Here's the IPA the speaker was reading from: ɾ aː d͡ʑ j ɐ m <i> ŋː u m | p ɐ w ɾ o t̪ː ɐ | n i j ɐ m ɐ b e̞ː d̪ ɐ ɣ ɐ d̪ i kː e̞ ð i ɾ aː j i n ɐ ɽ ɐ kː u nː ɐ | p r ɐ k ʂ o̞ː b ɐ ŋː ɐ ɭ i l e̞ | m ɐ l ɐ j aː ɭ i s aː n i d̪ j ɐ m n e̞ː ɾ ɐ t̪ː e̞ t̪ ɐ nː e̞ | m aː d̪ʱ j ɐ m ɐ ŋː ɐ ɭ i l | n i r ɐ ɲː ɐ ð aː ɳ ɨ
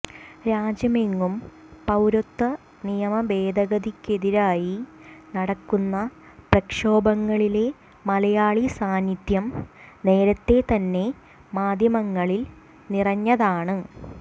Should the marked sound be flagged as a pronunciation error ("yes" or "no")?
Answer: yes